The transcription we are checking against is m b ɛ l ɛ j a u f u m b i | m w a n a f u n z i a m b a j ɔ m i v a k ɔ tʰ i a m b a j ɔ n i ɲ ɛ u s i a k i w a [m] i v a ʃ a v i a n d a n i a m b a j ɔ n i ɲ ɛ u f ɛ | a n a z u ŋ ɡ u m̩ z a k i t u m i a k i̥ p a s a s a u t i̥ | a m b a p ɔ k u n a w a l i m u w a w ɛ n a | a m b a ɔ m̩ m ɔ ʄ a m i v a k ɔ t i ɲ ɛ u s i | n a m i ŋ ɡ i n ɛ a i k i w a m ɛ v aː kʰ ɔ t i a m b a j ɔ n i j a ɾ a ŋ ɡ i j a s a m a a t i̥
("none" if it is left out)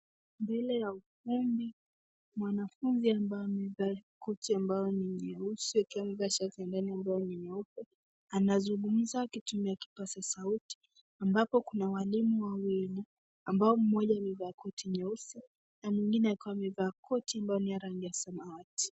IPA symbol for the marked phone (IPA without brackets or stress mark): m